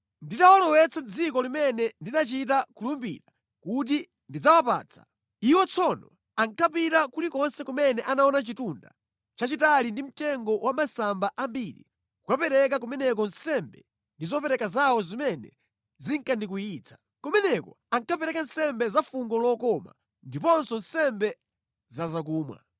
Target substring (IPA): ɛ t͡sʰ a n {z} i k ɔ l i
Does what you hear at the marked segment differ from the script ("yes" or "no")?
yes